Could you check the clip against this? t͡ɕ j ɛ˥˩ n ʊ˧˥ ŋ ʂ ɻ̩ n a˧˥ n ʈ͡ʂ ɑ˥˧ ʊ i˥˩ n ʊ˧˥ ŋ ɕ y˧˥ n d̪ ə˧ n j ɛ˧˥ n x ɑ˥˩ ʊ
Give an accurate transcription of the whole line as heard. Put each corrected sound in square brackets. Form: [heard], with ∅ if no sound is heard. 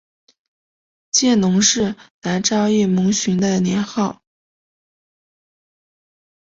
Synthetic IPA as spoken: t͡ɕ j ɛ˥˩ n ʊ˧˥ ŋ ʂ ɻ̩ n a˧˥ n ʈ͡ʂ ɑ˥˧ ʊ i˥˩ [m] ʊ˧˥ ŋ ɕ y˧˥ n d̪ ə˧ n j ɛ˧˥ n x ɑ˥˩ ʊ